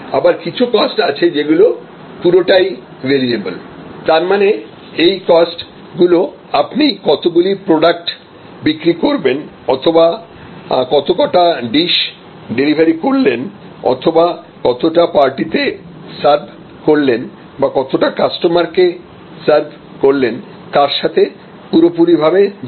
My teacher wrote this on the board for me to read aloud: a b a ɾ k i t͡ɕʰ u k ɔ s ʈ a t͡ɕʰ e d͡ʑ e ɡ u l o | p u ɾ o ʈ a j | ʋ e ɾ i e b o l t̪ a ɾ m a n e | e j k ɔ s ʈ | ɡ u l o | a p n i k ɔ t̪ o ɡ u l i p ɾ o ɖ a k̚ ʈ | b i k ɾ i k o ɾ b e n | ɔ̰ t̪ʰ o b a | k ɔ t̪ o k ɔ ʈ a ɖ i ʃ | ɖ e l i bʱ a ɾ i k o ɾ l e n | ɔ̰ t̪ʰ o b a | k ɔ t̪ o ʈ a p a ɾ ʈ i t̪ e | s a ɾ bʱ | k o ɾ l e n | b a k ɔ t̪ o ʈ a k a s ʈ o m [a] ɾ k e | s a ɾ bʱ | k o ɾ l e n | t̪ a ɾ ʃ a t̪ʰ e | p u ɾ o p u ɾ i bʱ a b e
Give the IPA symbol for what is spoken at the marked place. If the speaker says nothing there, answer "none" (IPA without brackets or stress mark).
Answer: a